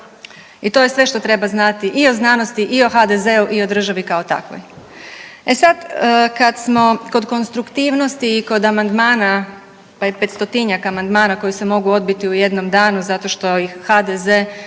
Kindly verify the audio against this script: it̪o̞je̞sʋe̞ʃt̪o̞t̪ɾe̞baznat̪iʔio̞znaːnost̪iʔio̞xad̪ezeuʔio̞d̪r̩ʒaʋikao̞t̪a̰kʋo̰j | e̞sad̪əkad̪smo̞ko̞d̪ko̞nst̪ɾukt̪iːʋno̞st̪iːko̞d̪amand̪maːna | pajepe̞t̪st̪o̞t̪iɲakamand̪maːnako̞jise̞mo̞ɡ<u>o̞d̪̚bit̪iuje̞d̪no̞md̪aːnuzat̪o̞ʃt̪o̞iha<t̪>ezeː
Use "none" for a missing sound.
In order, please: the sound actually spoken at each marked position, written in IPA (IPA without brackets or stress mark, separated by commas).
u, d̪